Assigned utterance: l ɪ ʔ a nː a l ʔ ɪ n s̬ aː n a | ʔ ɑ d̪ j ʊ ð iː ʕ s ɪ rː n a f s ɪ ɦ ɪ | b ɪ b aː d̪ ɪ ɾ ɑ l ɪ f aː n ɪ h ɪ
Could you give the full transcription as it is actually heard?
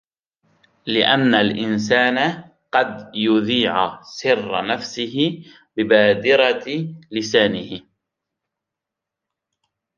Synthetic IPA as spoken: l ɪ ʔ a nː a l ʔ ɪ n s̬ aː n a | q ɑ d̪ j ʊ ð iː ʕ s ɪ rː n a f s ɪ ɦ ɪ | b ɪ b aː d̪ ɪ ɾ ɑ l ɪ s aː n ɪ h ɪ